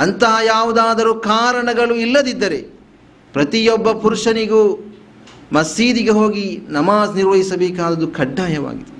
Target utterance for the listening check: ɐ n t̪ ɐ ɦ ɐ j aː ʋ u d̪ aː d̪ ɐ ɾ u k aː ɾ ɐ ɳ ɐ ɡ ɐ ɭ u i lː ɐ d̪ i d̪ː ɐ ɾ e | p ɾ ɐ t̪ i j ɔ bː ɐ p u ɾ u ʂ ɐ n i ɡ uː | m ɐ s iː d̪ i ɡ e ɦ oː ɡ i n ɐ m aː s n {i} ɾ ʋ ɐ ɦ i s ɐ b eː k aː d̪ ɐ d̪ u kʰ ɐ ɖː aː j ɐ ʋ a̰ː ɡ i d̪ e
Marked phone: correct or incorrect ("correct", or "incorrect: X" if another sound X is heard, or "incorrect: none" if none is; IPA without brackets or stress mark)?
correct